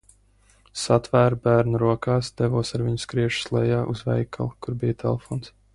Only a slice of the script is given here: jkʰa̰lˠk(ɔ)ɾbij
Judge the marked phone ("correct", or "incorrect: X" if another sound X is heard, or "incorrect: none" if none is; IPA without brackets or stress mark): incorrect: u